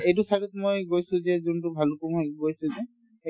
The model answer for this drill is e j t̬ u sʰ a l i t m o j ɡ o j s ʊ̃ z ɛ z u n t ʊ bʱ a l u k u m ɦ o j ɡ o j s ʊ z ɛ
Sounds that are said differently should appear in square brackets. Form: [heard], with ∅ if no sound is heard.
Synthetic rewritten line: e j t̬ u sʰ a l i t m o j ɡ o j s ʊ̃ z ɛ z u n t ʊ bʱ a l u k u m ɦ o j ɡ o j s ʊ z ɛ